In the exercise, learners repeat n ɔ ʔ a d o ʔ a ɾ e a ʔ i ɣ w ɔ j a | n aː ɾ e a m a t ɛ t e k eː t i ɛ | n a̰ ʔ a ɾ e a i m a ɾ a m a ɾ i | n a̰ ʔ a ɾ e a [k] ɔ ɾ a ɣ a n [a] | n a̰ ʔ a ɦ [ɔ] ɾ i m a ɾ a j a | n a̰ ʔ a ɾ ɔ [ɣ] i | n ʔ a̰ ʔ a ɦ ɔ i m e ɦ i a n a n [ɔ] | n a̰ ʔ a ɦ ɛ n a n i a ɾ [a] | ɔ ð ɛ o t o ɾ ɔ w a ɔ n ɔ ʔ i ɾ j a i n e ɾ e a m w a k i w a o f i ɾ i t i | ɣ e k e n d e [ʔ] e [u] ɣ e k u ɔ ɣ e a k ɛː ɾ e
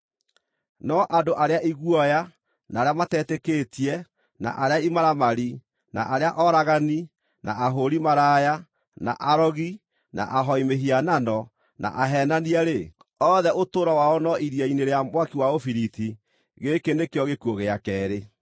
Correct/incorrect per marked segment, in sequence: incorrect: ʔ, incorrect: i, incorrect: o, correct, correct, incorrect: e, incorrect: k, incorrect: ɔ

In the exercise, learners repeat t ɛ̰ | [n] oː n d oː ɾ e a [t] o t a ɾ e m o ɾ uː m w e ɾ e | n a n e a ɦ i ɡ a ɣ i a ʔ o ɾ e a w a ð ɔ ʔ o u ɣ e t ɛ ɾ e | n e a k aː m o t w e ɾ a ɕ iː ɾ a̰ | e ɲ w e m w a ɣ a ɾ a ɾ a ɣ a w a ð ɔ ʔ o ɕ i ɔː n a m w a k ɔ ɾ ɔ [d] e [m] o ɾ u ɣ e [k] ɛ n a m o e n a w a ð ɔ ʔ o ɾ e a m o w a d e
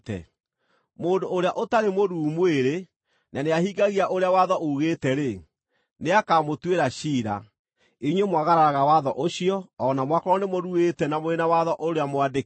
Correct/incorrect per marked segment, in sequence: incorrect: m, incorrect: ʔ, incorrect: n, correct, incorrect: t

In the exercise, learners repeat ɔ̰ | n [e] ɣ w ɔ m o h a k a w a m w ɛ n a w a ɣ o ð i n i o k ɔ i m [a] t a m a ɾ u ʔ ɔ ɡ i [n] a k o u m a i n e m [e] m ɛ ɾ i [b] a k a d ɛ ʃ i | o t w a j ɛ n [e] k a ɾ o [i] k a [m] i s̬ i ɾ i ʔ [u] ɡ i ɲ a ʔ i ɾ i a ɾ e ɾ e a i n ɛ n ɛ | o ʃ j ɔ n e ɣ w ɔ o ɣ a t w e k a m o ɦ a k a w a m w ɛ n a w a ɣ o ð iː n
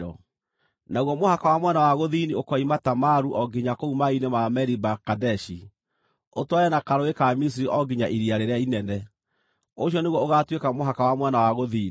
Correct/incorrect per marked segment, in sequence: incorrect: a, correct, incorrect: ɲ, incorrect: a, correct, incorrect: a, incorrect: e, correct, incorrect: ɔ

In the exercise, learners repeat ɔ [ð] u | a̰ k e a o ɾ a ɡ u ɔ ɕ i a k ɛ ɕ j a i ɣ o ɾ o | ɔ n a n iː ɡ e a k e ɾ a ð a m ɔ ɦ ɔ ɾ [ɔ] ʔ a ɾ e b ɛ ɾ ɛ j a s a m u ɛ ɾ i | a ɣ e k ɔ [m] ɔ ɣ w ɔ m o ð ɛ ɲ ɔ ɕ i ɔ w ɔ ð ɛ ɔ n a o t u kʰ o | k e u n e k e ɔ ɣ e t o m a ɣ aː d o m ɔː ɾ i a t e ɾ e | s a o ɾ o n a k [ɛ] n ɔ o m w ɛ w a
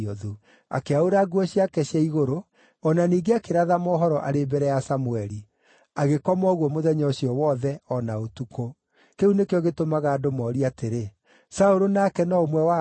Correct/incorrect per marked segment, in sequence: correct, correct, correct, correct

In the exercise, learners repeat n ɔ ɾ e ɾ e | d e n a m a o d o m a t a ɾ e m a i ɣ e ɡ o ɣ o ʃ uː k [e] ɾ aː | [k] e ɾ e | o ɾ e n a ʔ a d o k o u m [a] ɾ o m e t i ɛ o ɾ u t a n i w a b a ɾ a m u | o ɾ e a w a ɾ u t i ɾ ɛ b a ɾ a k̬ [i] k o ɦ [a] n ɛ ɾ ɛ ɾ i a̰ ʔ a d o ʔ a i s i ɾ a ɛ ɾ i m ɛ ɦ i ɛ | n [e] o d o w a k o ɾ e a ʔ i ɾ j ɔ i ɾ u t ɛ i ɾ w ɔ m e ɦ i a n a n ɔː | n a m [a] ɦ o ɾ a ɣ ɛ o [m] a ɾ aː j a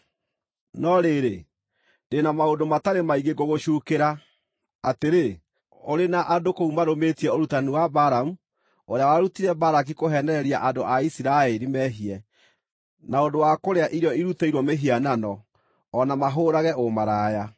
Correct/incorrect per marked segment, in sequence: correct, incorrect: t, correct, correct, incorrect: ɛ, incorrect: a, correct, correct

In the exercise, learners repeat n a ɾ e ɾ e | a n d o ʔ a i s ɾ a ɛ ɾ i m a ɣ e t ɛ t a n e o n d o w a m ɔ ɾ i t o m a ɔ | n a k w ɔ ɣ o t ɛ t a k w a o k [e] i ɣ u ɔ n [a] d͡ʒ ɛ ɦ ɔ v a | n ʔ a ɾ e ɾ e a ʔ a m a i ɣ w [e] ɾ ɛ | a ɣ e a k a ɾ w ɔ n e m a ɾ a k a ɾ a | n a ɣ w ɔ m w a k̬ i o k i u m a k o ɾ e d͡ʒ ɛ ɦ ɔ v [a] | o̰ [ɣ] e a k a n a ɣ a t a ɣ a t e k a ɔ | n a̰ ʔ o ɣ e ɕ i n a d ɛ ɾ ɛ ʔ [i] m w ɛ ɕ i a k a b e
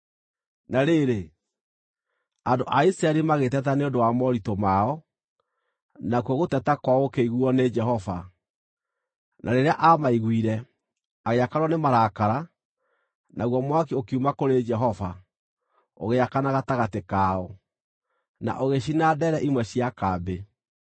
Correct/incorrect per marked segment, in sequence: correct, incorrect: e, incorrect: i, correct, correct, correct

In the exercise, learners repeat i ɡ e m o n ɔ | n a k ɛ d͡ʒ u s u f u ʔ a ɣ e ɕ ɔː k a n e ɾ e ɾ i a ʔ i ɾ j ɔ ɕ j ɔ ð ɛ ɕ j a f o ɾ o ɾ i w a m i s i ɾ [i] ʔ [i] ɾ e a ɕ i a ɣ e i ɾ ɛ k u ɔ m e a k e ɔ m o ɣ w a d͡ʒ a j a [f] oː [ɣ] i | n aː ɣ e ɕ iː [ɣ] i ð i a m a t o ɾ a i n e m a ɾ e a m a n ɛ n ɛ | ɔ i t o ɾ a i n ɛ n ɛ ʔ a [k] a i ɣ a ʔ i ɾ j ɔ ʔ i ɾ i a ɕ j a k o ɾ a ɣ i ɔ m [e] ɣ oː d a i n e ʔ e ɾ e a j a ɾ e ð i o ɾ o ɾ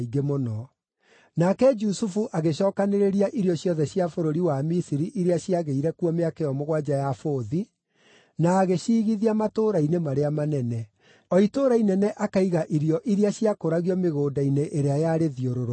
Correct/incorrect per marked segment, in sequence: correct, correct, correct, incorrect: ð, correct, correct, correct

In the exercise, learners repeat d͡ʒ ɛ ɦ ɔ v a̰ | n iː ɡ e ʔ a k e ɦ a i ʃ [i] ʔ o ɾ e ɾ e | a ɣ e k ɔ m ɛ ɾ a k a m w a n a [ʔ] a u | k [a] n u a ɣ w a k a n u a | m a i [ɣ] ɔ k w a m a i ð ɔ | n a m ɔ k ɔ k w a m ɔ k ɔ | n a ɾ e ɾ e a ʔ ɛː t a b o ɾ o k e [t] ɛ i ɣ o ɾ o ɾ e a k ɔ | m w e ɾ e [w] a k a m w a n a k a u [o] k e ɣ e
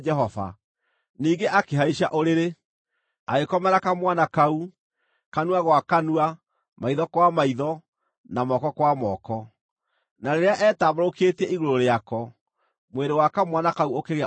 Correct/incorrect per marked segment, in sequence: incorrect: a, incorrect: k, correct, incorrect: ð, correct, correct, correct

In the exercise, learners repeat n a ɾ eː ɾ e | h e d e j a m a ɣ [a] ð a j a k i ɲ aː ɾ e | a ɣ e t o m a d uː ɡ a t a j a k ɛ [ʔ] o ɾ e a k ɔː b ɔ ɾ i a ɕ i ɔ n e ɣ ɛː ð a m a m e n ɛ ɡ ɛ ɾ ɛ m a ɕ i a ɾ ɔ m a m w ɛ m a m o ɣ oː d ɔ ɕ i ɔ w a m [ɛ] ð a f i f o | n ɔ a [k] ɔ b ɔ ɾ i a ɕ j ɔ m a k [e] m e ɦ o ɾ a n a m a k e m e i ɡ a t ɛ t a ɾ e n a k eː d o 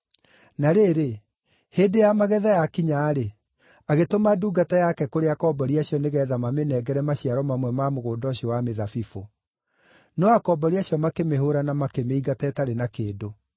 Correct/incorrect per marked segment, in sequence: incorrect: ɛ, incorrect: k, incorrect: e, correct, correct

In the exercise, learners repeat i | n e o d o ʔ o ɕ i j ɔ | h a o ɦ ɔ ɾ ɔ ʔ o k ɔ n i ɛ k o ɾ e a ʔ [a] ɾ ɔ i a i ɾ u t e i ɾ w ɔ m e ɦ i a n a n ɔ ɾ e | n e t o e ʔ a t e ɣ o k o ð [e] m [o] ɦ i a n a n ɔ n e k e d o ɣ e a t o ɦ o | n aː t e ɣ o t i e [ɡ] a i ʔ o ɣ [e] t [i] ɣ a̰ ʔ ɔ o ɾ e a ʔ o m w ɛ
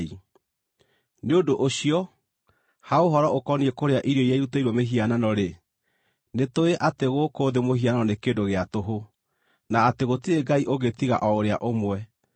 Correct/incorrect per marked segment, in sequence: incorrect: i, correct, correct, correct, correct, correct

